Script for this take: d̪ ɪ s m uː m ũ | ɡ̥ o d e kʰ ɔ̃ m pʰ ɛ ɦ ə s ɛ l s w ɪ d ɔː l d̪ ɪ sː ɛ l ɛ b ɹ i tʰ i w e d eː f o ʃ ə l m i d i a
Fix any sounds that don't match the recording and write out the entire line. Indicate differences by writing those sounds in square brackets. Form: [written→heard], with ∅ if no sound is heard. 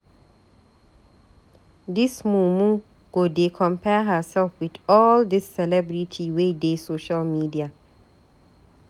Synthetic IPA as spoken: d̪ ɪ s m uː m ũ | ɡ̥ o d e kʰ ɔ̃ m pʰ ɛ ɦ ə s ɛ l [s→f] w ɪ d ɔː l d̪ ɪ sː ɛ l ɛ b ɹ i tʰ i w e d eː [f→s] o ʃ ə l m i d i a